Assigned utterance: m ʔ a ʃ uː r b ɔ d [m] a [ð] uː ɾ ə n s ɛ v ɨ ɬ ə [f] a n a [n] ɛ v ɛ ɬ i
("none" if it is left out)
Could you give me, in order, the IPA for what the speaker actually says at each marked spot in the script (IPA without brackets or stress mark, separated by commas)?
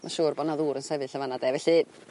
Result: n, ð, v, d